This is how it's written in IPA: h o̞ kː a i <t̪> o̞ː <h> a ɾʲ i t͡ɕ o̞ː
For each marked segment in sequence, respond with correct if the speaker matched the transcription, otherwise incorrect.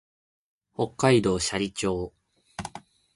incorrect: d̪, incorrect: ɕ

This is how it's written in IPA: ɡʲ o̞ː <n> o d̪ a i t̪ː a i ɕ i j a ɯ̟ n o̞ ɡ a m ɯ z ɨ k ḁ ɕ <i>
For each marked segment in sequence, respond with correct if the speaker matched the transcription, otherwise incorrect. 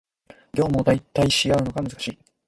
incorrect: m, incorrect: iː

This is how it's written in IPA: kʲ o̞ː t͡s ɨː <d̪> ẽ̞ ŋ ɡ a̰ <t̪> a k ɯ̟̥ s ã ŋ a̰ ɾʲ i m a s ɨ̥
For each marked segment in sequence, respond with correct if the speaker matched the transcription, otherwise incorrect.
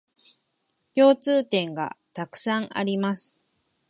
incorrect: t̪, correct

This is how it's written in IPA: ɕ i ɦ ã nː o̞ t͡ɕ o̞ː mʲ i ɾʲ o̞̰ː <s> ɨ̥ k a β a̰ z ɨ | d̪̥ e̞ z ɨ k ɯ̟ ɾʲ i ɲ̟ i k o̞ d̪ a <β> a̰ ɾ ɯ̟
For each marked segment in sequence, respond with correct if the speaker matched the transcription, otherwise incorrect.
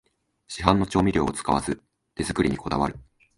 incorrect: t͡s, correct

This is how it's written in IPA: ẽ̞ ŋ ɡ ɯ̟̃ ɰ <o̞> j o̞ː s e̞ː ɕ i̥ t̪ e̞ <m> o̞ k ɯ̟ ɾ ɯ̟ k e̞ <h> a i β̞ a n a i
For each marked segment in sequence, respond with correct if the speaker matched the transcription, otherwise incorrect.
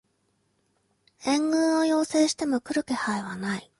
correct, correct, correct

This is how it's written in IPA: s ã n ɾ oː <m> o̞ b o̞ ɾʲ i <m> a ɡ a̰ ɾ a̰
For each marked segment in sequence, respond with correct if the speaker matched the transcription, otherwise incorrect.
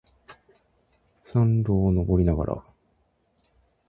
incorrect: n, incorrect: n

